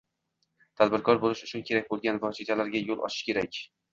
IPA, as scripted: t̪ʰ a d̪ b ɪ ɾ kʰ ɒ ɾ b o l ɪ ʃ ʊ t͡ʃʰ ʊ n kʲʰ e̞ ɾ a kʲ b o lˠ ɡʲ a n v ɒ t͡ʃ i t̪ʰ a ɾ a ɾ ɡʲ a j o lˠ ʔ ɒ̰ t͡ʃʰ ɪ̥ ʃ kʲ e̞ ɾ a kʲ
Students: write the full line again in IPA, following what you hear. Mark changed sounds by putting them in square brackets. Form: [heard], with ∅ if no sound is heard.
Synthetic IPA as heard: t̪ʰ a d̪ b ɪ ɾ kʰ ɒ ɾ b o l ɪ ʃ ʊ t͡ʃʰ ʊ n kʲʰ e̞ ɾ a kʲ b o lˠ ɡʲ a n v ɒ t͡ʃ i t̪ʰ a [l] a ɾ ɡʲ a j o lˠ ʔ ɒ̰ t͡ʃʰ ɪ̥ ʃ kʲ e̞ ɾ a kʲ